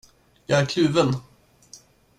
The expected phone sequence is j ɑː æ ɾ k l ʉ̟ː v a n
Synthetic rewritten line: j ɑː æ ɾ kʰ l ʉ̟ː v ə n

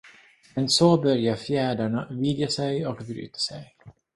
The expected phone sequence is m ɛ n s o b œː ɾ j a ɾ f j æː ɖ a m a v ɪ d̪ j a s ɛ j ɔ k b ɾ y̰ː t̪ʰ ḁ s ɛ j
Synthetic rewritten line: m ɛ n s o b œ ɾ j a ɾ f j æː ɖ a ɳ a v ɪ d̪ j a s ɛ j ɔ k b ɾ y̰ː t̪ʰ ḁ s ɛ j

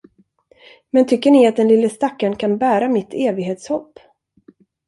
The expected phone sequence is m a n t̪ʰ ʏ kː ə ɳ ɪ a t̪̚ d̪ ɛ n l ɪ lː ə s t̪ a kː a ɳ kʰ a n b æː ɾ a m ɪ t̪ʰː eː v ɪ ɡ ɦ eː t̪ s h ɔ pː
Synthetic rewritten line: m ɛ n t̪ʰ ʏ kː ə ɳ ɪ a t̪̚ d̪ ɛ n l ɪ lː ə s t̪ a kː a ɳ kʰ a n b æː ɾ a m ɪ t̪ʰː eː v ɪ ɡ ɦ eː t̪ s h ɔ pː

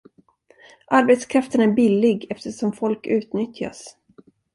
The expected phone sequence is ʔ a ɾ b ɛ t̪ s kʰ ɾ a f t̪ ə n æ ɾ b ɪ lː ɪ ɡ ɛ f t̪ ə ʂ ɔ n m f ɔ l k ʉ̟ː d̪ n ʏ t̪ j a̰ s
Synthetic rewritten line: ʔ a ɾ b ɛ t̪ s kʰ ɾ a f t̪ ə n æ ɾ b ɪ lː ɪ ɡ ɛ f t̪ ə ʂ ɔ m f ɔ l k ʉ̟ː t̪ n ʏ t̪ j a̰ s

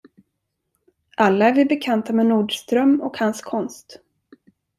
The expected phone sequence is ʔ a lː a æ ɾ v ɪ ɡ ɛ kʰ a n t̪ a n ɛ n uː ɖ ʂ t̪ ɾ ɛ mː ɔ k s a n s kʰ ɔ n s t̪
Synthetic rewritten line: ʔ a lː a æ ɾ v ɪ b ɛ kʰ a n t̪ a m ɛ n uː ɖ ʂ t̪ ɾ œ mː ɔ k h a n s kʰ ɔ n s t̪

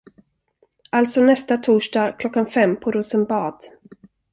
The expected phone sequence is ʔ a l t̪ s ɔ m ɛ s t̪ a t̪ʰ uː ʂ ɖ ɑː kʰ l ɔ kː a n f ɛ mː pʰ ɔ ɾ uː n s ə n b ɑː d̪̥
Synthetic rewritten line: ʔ a l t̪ s ɔ n ɛ s t̪ a t̪ʰ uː ʂ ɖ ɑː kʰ l ɔ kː a n f ɛ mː pʰ ɔ ɾ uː s ə n b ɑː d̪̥

